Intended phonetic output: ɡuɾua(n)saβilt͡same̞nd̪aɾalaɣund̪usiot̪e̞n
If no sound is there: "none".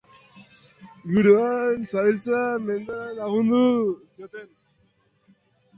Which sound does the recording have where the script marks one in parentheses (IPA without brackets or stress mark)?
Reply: n